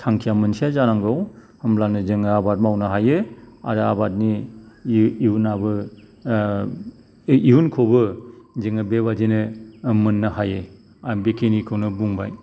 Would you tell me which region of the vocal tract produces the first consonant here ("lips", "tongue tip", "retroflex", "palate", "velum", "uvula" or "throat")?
tongue tip